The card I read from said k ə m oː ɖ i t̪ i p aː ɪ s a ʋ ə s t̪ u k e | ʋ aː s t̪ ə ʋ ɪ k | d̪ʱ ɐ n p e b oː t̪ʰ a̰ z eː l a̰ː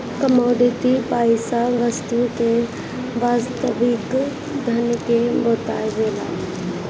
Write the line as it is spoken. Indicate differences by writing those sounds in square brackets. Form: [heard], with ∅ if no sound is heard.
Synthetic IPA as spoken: k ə m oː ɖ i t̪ i p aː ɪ s a ʋ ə s t̪ u k e | ʋ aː s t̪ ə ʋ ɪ k | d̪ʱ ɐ n [k] e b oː [t̪] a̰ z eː l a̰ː